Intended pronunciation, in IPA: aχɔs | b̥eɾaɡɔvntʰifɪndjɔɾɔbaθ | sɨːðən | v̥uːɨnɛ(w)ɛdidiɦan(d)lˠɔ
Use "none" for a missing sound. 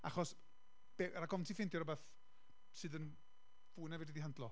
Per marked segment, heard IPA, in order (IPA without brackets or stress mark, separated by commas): v, d